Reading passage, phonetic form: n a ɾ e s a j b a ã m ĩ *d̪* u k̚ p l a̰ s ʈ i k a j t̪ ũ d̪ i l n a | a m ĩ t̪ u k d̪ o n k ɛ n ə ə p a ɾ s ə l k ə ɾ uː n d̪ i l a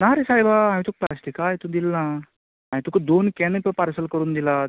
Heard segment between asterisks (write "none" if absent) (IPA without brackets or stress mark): t̪